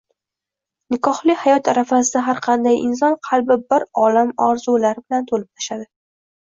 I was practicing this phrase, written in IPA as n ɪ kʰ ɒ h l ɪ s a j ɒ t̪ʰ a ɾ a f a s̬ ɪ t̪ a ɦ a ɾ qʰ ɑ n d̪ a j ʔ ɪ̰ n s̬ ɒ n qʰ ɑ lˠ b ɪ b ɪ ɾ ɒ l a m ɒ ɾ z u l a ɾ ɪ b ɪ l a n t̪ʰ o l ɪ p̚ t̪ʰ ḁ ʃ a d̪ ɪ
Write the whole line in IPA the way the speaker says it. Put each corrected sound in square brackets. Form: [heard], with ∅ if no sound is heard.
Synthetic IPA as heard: n ɪ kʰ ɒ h l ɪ [h] a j ɒ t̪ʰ a ɾ a f a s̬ ɪ [d̪] a ɦ a ɾ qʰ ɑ n d̪ a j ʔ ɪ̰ n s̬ ɒ n qʰ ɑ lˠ b ɪ b ɪ ɾ ɒ l a m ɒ ɾ z u l a ɾ ɪ b ɪ l a n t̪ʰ o l ɪ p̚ t̪ʰ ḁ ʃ a d̪ ɪ